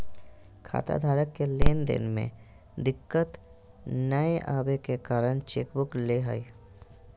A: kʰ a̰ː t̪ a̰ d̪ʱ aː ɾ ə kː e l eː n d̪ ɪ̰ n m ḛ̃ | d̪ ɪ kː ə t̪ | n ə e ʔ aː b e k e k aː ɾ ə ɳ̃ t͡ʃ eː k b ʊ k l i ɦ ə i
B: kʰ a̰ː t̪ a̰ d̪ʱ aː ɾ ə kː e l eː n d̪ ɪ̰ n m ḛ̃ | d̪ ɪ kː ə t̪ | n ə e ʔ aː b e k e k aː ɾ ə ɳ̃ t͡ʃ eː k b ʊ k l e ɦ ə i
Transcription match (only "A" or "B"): B